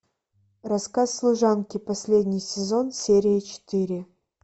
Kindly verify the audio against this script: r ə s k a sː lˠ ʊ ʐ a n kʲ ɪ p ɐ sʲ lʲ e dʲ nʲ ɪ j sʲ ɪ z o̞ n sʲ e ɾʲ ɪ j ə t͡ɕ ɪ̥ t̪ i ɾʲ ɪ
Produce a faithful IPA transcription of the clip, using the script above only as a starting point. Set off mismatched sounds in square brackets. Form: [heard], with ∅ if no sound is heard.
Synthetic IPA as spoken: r [ɐ] s k a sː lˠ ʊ ʐ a n kʲ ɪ p ɐ sʲ lʲ e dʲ nʲ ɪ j sʲ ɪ z o̞ n sʲ e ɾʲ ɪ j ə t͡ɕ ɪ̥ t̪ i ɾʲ ɪ